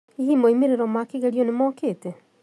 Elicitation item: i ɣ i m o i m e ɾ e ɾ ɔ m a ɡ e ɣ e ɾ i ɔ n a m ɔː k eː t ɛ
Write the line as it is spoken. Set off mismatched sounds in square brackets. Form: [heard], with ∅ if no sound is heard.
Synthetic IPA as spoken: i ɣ i m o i m e ɾ e ɾ ɔ m a [k] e ɣ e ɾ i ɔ n [e] m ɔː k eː t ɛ

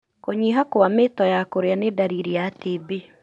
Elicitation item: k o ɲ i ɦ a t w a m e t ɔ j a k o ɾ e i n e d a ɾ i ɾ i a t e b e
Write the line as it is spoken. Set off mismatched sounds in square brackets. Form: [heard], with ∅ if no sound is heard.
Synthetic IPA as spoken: k o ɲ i ɦ a [k] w a m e t ɔ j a k o ɾ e [a] n e d a ɾ i ɾ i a t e b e

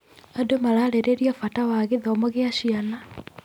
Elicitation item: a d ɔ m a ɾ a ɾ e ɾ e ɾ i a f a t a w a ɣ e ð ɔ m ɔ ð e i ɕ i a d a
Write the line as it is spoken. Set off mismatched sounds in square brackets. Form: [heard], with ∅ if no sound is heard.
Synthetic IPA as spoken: a d [o] m a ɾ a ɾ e ɾ e ɾ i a f a t a w a ɣ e ð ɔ m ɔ [ɣ] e [a] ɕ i a [n] a

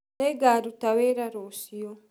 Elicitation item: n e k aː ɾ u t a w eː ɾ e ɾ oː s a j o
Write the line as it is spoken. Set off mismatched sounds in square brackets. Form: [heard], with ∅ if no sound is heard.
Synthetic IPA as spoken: n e [ɡ] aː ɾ u t a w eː ɾ [a] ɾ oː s [i] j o

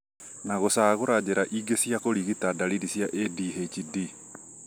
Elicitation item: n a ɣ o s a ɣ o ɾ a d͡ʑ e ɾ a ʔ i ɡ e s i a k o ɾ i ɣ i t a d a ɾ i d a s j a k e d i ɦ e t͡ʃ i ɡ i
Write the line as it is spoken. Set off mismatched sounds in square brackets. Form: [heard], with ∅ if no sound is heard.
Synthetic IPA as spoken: n a ɣ o s a ɣ o ɾ a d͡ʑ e ɾ a ʔ i ɡ e s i a k o ɾ i ɣ i t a d a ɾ i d [i] s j a [ʔ] e d i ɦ e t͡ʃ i [d] i

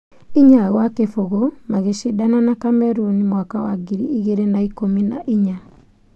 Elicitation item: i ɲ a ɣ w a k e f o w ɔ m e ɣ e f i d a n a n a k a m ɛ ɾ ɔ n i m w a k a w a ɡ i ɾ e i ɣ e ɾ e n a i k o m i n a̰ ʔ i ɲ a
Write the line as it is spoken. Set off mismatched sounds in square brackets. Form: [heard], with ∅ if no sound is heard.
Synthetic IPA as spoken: i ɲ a ɣ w a k e f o [ɣ] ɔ m [a] ɣ e [ʃ] i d a n a n a k a m ɛ ɾ [u] n i m w a k a w a ɡ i ɾ [i] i ɣ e ɾ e n a i k o m i n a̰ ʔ i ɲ a

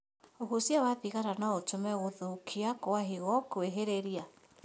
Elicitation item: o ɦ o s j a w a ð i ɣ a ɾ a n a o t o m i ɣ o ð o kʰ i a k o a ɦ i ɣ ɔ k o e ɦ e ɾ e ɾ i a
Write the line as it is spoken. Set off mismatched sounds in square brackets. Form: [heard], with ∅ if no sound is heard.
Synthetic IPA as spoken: o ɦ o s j a w a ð i ɣ a ɾ a n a o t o m [ɛ] ɣ o ð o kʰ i a k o a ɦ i ɣ ɔ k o e ɦ e ɾ e ɾ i a

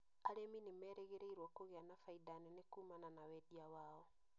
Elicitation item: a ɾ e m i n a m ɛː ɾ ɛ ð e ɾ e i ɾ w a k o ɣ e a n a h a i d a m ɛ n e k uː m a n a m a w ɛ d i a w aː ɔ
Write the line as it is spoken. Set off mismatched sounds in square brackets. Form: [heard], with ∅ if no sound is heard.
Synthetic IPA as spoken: a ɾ e m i n [i] m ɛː ɾ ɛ [ɣ] e ɾ e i ɾ w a k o ɣ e a n a [f] a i d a [n] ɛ n e k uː m a n a [n] a w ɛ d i a w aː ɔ

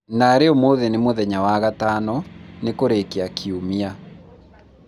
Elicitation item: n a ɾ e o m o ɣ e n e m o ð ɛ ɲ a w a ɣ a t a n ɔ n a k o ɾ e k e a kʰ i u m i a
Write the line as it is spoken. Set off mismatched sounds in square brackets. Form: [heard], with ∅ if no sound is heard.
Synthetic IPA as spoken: n a ɾ e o m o [ð] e n e m o ð ɛ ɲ a w a ɣ a t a n ɔ n [e] k o ɾ e k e a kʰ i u m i a

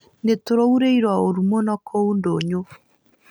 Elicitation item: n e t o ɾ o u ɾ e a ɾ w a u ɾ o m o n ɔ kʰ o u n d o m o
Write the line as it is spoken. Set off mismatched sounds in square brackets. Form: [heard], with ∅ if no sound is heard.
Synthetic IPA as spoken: n e t o ɾ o u ɾ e [i] ɾ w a [o] ɾ [u] m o n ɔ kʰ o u n d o [ɲ] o

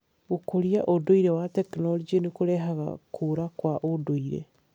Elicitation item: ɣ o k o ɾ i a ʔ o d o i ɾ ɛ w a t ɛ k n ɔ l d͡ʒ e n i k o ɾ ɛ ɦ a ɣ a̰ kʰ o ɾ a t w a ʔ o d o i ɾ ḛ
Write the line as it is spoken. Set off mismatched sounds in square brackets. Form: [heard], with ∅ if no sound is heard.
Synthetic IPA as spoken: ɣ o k o ɾ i a ʔ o d o i ɾ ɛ w a t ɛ k n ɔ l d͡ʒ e n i k o ɾ ɛ ɦ a ɣ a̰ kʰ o ɾ a [k] w a ʔ o d o i ɾ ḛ

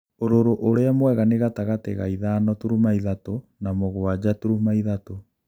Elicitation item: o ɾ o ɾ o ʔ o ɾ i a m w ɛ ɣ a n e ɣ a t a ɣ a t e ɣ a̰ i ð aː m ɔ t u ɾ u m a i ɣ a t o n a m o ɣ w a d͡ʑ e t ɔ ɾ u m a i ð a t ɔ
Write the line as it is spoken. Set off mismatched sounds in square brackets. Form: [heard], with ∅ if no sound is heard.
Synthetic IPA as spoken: o ɾ o ɾ o ʔ o ɾ [e] a m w ɛ ɣ a n e ɣ a t a ɣ a t e ɣ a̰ i ð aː [n] ɔ t u ɾ u m a i [ð] a t o n a m o ɣ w a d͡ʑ [a] t [u] ɾ u m a i ð a t [o]

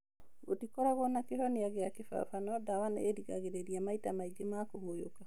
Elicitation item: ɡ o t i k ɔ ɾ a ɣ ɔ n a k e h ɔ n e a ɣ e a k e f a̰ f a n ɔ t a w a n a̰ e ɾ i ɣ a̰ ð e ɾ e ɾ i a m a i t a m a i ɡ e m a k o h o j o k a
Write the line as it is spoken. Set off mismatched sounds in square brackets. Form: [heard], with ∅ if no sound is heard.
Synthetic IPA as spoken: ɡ o t i k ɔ ɾ a ɣ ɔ n a k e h ɔ n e a ɣ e a k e f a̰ f a n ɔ [d] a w a n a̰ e ɾ i ɣ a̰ [ɣ] e ɾ e ɾ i a m a i t a m a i ɡ e m a k o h o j o k a

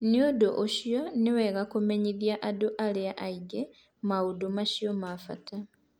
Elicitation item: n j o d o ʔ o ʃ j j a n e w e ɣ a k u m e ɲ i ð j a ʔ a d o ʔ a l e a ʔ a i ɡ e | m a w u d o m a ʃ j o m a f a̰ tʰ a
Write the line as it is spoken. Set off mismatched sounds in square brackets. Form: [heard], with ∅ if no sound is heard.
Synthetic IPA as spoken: n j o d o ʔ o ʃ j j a n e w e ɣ a k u m e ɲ i ð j a ʔ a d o ʔ a l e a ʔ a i ɡ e | m a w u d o m a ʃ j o m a f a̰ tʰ a

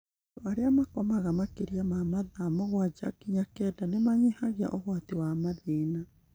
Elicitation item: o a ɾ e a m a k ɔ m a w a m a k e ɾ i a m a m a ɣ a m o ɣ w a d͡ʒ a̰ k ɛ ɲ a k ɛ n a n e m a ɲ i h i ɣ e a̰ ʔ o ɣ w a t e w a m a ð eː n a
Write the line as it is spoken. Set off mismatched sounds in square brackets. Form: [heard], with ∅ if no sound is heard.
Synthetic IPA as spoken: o a ɾ e a m a k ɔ m a [ɣ] a m a k e ɾ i a m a m a [ð] a m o ɣ w a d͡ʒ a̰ k [i] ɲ a k ɛ [d] a n e m a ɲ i h [a] ɣ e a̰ ʔ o ɣ w a t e w a m a ð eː n a

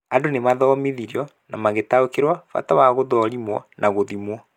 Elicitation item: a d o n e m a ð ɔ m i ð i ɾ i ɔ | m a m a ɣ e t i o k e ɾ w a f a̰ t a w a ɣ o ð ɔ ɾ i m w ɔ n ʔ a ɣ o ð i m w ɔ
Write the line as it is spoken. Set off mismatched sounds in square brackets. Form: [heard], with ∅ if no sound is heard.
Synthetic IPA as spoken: a d o n e m a ð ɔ m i ð i ɾ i ɔ | [n] a m a ɣ e t [a] o k e ɾ w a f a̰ t a w a ɣ o ð ɔ ɾ i m w ɔ n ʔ a ɣ o ð i m w ɔ

